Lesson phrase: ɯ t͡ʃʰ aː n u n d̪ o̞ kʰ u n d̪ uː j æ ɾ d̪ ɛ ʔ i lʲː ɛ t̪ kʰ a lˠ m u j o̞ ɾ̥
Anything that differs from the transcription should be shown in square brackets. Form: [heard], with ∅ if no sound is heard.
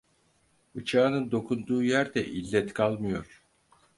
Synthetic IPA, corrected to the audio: ɯ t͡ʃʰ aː n [ɯ] n d̪ o̞ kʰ u n d̪ uː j æ ɾ d̪ ɛ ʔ i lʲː ɛ t̪ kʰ a lˠ m [ɯ] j o̞ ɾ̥